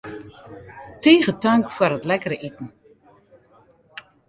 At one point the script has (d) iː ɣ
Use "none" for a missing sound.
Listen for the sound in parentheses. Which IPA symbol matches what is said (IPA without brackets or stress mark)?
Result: t